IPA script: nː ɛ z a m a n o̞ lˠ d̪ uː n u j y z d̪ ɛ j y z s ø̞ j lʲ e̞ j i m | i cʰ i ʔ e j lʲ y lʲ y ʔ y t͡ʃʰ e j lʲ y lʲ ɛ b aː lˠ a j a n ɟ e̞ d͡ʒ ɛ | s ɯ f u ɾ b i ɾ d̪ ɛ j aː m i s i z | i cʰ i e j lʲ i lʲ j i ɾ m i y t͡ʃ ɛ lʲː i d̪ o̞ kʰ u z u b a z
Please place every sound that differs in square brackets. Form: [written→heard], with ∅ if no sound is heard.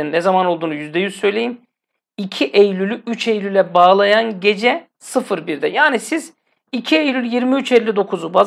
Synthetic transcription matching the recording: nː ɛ z a m a n o̞ lˠ d̪ uː n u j y z d̪ ɛ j y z s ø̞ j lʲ e̞ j i m | i cʰ i ʔ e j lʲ y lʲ y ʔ y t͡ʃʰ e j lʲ y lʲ ɛ b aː lˠ a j a n ɟ e̞ d͡ʒ ɛ | s ɯ f [u→ɯ] ɾ b i ɾ d̪ ɛ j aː [m→n] i s i z | i cʰ i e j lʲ [i→y] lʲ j i ɾ m i y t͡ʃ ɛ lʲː i d̪ o̞ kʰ u z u b a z